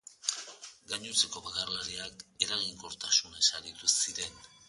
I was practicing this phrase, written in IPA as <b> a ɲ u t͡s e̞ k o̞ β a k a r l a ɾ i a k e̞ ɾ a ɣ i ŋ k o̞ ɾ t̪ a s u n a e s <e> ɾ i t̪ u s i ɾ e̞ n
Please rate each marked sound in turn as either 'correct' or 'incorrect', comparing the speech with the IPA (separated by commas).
incorrect, incorrect